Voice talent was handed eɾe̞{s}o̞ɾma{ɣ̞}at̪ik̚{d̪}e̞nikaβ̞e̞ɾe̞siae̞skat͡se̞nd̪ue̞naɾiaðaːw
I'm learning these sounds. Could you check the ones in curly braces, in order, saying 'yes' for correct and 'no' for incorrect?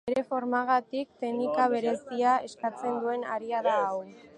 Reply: no, yes, no

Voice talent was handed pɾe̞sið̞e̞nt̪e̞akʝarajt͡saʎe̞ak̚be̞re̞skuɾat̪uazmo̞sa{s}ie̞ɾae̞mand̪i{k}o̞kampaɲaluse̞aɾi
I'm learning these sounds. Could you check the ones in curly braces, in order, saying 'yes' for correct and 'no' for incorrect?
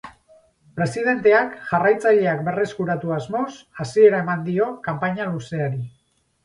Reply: yes, no

